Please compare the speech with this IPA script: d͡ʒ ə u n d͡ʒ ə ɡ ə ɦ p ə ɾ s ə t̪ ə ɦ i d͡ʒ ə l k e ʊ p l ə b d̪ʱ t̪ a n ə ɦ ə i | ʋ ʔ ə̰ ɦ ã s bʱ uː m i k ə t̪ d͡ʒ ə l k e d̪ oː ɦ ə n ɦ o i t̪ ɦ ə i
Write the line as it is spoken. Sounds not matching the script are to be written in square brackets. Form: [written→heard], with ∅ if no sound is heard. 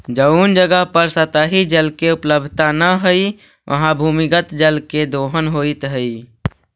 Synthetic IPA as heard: d͡ʒ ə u n d͡ʒ ə ɡ ə ɦ p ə ɾ s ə t̪ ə ɦ i d͡ʒ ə l k e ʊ p l ə b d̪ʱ t̪ a n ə ɦ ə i | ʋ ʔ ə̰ ɦ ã [s→∅] bʱ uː m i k ə t̪ d͡ʒ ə l k e d̪ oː ɦ ə n ɦ o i t̪ ɦ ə i